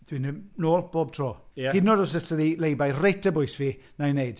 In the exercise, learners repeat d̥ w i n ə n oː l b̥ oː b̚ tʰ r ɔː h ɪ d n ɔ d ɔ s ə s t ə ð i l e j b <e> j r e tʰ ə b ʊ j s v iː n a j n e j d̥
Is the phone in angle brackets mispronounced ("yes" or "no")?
yes